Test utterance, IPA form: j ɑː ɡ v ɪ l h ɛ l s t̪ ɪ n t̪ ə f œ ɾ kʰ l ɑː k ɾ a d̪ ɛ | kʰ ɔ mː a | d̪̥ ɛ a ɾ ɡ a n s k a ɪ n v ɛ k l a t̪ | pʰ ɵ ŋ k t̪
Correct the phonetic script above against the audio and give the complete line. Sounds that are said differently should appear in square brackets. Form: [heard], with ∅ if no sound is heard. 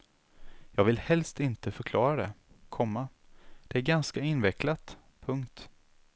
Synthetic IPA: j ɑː ɡ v ɪ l h ɛ l s t̪ ɪ n t̪ ə f œ ɾ kʰ l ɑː [∅] ɾ a d̪ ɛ | kʰ ɔ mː a | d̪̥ ɛ [æ] ɾ ɡ a n s k a ɪ n v ɛ k l a t̪ | pʰ ɵ ŋ k t̪